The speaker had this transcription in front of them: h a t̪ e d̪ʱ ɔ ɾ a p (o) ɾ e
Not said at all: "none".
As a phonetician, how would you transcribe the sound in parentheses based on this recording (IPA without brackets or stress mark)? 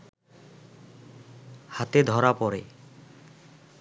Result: ɔ